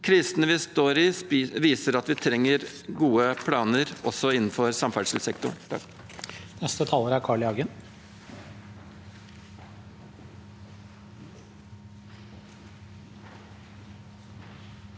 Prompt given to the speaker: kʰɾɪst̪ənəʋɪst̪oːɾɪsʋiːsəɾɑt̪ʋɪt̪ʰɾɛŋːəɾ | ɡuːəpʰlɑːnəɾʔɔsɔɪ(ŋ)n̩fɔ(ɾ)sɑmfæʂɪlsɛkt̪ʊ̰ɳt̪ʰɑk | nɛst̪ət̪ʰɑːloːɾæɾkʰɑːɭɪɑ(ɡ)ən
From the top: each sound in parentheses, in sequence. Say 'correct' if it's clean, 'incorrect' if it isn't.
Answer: incorrect: n, correct, correct

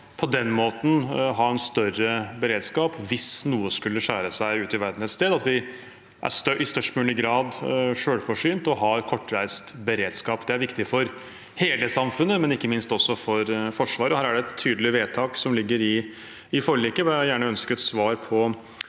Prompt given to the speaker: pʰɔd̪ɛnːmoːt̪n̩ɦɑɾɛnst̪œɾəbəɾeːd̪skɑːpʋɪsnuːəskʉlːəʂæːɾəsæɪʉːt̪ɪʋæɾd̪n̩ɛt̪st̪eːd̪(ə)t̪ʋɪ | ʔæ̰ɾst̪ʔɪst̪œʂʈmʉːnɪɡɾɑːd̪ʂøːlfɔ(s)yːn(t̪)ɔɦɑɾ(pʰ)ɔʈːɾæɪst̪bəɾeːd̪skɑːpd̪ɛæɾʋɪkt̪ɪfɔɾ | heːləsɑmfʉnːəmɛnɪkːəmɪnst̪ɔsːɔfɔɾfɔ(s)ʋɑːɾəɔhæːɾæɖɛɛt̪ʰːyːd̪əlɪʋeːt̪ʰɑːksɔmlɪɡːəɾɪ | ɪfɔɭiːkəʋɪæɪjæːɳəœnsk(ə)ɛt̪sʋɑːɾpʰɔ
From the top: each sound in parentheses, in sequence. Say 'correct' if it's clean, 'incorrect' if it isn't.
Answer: incorrect: ɑ, incorrect: ʂ, correct, incorrect: kʰ, incorrect: ʂ, correct

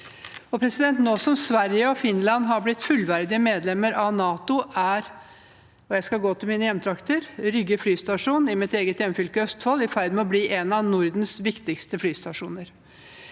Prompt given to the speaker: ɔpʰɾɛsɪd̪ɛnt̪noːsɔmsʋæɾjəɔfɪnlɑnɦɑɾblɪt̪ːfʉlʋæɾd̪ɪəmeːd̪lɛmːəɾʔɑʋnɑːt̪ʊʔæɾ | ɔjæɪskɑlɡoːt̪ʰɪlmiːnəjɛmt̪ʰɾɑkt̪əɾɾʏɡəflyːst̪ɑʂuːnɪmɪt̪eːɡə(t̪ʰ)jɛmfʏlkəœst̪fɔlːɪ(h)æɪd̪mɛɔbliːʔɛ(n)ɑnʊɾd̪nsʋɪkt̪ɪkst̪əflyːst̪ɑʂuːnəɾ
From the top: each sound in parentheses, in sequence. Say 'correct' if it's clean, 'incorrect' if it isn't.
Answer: incorrect: t̪, incorrect: f, correct

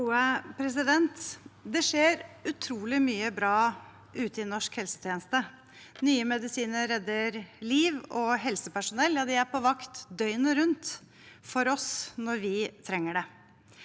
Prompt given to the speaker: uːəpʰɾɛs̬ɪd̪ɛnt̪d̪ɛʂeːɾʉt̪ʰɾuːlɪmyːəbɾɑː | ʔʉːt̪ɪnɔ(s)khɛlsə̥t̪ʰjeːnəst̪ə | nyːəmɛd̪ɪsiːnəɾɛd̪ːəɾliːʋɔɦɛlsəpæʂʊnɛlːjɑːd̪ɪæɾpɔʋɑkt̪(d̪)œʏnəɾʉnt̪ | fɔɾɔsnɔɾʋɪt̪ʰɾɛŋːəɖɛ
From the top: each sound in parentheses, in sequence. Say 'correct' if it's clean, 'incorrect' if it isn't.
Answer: incorrect: ʂ, correct

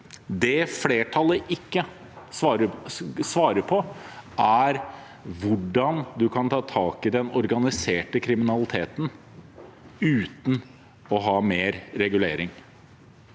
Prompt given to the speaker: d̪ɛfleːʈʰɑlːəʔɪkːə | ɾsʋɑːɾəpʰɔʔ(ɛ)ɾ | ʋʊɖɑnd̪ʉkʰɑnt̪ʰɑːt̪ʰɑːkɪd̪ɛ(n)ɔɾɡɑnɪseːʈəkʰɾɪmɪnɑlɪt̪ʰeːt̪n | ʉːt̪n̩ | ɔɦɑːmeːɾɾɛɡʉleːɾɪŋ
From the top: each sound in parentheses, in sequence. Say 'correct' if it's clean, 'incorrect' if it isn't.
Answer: incorrect: æ, correct

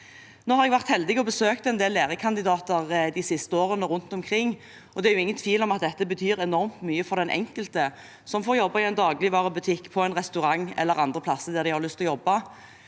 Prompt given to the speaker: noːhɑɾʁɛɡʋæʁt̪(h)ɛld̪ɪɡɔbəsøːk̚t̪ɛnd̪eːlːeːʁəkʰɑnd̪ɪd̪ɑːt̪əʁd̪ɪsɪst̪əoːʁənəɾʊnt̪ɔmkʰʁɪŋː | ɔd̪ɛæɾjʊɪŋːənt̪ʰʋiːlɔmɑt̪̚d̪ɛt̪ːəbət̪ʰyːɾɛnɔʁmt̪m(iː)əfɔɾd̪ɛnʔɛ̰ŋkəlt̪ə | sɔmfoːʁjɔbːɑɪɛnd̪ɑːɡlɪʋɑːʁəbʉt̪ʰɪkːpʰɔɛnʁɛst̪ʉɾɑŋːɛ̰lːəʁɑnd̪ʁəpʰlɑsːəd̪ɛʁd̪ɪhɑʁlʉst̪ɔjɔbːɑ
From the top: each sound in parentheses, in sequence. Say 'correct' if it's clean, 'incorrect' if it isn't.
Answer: correct, incorrect: yː

